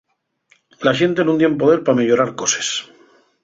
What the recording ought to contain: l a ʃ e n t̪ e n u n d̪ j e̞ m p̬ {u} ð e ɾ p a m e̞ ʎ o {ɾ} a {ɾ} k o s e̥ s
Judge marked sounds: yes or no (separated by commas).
no, yes, yes